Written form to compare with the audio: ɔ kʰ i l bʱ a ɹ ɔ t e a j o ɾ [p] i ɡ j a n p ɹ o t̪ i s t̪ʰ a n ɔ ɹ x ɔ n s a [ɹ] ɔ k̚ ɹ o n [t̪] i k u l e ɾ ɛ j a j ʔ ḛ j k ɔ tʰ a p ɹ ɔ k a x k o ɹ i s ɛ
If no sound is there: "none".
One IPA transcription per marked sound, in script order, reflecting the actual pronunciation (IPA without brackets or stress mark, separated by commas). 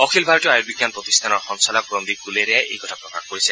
b, l, d̪